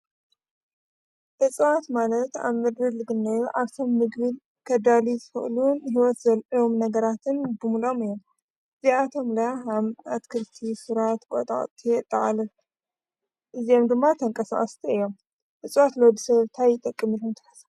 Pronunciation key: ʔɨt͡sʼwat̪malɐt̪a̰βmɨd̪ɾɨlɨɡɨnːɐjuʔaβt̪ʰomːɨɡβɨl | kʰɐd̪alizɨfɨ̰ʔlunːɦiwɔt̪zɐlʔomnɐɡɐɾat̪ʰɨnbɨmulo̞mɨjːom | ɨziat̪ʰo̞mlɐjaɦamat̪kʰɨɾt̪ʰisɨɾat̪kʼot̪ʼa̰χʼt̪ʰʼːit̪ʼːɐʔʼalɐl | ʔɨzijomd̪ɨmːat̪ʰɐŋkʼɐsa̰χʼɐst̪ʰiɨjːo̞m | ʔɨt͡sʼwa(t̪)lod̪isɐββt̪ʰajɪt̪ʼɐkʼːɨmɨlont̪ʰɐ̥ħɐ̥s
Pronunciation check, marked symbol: correct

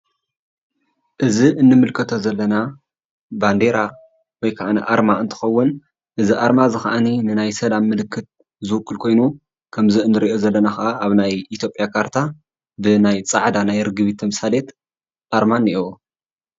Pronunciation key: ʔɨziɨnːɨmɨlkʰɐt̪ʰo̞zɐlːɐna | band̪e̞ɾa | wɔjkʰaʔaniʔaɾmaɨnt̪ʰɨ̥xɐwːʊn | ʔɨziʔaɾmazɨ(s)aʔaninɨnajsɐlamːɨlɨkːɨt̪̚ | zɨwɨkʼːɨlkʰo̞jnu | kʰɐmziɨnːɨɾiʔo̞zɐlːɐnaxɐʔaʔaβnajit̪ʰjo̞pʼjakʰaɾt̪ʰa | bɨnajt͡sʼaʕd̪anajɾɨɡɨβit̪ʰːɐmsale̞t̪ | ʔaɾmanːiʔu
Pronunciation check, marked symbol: incorrect: x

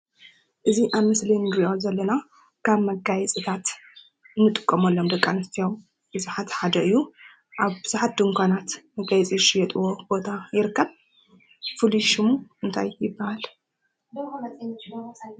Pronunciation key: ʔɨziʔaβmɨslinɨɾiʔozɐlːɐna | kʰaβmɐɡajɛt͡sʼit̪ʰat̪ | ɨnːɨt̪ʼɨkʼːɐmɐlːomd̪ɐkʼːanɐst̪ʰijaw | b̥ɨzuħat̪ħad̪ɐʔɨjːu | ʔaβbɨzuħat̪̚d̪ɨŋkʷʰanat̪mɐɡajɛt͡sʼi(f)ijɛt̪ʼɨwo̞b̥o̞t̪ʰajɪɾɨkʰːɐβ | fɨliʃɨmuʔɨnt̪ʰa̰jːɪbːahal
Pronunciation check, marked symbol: incorrect: ʃ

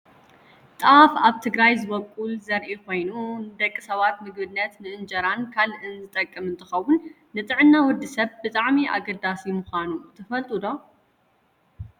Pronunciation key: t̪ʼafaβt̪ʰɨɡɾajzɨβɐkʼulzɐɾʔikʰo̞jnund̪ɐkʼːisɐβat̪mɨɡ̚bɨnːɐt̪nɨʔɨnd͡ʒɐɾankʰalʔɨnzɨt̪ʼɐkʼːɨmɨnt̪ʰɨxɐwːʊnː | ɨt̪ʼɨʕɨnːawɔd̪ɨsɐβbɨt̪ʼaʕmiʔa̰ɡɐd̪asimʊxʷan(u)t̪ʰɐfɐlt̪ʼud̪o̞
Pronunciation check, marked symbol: correct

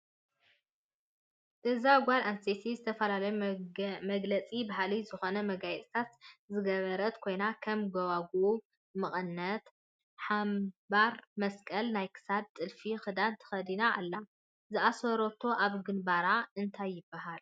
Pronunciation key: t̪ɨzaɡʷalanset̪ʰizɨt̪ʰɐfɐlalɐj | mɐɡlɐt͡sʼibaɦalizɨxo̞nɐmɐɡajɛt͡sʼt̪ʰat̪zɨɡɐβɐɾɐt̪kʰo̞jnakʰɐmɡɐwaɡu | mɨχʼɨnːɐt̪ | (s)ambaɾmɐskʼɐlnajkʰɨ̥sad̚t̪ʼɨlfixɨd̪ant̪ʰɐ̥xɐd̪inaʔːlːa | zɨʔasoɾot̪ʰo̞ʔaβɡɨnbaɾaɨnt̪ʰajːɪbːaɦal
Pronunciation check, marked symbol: incorrect: ħ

